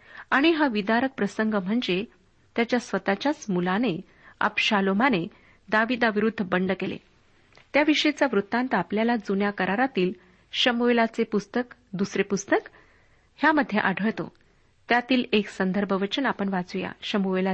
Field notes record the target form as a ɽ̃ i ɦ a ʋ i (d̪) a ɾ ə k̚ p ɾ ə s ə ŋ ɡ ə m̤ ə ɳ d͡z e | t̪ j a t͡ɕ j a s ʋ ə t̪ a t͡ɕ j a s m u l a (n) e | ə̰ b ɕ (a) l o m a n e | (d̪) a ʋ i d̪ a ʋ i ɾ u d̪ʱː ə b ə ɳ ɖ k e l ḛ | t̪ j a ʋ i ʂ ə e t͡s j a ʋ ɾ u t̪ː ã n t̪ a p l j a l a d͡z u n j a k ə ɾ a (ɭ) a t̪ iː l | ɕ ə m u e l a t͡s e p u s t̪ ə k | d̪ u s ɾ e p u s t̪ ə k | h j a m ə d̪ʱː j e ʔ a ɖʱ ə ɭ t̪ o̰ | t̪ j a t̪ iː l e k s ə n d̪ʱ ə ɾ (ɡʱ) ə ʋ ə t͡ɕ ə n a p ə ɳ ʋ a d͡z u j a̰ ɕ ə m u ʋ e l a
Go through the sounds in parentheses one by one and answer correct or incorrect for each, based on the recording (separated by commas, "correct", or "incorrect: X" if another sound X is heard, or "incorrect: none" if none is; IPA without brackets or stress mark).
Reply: correct, correct, correct, correct, incorrect: ɾ, incorrect: bʱ